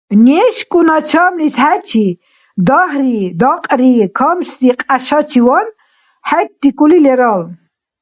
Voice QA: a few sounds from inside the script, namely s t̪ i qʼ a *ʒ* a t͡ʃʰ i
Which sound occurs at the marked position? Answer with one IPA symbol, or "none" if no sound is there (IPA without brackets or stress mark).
ʃ